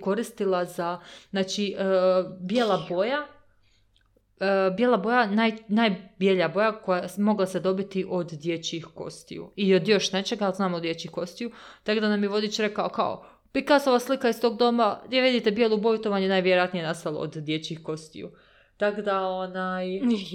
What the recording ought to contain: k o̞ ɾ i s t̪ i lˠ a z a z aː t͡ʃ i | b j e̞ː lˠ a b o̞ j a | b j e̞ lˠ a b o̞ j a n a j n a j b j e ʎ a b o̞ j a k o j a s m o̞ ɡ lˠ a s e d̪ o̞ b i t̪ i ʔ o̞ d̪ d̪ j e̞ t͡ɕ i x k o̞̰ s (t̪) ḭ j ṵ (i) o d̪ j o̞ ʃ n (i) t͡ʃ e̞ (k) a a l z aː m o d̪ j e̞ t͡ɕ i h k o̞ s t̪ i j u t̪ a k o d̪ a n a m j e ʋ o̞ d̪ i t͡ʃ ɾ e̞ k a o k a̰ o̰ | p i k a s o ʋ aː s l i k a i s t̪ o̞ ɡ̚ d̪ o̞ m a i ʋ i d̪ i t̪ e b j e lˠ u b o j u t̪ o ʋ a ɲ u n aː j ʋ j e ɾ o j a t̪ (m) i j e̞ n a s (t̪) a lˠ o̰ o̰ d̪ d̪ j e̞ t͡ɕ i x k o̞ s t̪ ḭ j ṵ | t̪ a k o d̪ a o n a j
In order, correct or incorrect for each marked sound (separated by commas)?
correct, correct, incorrect, incorrect, incorrect, correct